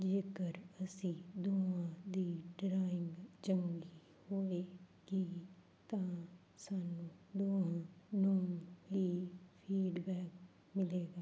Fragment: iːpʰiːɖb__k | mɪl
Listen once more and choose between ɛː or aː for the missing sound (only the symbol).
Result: ɛː